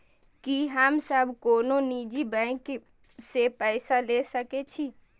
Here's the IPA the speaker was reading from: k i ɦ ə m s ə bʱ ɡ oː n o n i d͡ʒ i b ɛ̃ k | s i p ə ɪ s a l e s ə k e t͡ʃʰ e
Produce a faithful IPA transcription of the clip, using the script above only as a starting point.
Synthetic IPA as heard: k i ɦ ə m s ə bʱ k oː n o n i d͡ʒ i b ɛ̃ k | s e p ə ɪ s a l e s ə k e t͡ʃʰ i